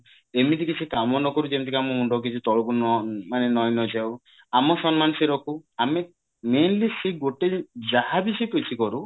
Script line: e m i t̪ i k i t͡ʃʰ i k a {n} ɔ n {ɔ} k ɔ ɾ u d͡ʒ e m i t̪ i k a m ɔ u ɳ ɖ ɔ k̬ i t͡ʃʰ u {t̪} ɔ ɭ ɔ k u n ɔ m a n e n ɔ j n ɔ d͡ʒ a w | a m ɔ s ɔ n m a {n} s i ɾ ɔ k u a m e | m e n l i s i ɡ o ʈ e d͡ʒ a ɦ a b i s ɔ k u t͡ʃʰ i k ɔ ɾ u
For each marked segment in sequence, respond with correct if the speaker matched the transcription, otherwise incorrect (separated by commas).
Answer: incorrect, correct, correct, correct